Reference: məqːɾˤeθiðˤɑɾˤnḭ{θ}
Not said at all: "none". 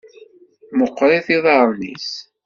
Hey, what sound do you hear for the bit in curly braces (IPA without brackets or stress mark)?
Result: s